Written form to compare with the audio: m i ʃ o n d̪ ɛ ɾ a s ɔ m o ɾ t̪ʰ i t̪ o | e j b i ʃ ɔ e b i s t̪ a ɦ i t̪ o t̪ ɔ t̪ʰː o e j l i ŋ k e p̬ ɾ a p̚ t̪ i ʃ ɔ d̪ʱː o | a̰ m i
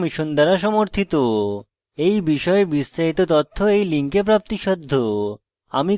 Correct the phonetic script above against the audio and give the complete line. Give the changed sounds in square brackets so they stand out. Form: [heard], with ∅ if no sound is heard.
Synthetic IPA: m i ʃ o n d̪ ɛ ɾ a [ʃ] ɔ m o ɾ t̪ʰ i t̪ o | e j b i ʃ ɔ e b i s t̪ a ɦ i t̪ o t̪ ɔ t̪ʰː o e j l i ŋ k e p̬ ɾ a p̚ t̪ i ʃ ɔ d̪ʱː o | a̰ m i

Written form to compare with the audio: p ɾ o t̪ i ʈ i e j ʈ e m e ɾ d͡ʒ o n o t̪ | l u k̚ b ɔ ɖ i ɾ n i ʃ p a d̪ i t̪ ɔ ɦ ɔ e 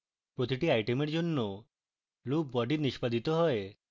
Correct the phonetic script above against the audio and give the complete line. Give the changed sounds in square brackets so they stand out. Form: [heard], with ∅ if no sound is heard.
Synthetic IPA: p ɾ o t̪ i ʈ i [a] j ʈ e m e ɾ d͡ʒ o [nː] o [∅] | l u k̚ b ɔ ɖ i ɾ n i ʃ p a d̪ i t̪ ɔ ɦ ɔ e

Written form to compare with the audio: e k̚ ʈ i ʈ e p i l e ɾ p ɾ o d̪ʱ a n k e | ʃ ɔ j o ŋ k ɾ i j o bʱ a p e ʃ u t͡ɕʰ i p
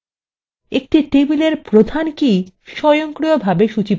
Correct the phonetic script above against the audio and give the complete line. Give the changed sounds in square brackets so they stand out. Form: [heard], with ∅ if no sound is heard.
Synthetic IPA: e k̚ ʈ i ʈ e [b] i l e ɾ p ɾ o d̪ʱ a n k [i] | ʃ ɔ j o ŋ k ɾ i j o bʱ a [b] e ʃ u [t͡ɕ] i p

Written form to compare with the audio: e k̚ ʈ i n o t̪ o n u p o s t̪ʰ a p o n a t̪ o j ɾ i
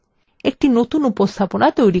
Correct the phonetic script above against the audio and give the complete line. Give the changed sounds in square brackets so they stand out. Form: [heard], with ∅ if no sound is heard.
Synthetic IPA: e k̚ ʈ i n o t̪ [u] n u p o s t̪ʰ a p o n a t̪ o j ɾ i

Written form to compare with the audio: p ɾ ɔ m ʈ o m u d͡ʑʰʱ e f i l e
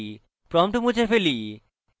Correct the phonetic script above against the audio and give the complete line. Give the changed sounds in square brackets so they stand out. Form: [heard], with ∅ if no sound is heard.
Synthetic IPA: p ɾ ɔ m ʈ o m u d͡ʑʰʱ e f [e] l [i]

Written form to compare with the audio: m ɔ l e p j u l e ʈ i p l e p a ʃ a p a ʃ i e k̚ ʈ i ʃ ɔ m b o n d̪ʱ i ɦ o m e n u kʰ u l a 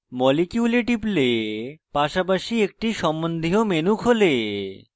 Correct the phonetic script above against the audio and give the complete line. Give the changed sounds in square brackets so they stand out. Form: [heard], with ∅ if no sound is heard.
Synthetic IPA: m ɔ l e [k] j u l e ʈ i p l e p a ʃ a p a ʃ i e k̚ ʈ i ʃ ɔ m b o n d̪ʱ i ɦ o m e n u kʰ [o] l [e]

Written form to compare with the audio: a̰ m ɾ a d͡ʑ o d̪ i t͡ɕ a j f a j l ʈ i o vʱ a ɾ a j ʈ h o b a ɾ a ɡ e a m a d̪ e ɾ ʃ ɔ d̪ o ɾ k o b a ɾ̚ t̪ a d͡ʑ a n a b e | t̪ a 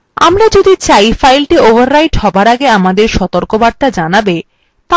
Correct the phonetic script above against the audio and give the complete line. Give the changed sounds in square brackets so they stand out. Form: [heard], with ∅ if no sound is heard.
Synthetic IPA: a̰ m ɾ a d͡ʑ o d̪ i t͡ɕ a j f a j l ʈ i o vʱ a [ɾː] a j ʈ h [ɔ] b a ɾ a ɡ e a m a d̪ e ɾ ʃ ɔ [t̪] o ɾ k o b a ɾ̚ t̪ a d͡ʑ a n a b e | t̪ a

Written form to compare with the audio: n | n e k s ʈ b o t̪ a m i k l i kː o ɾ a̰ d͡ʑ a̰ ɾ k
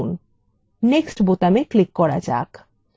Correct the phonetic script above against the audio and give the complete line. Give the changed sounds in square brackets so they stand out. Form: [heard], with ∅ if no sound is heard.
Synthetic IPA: n | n e k s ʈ b o t̪ a m [e] k l i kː [ɔ] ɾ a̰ d͡ʑ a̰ [∅] k

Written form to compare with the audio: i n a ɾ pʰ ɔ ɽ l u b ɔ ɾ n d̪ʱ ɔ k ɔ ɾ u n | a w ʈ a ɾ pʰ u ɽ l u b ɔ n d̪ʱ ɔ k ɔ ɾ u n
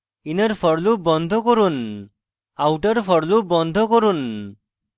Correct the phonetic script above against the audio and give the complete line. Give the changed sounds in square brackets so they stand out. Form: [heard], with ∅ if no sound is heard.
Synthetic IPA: i n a ɾ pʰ ɔ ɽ l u b ɔ [∅] n d̪ʱ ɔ k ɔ ɾ u n | a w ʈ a ɾ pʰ [ɔ] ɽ l u b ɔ n d̪ʱ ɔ k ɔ ɾ u n

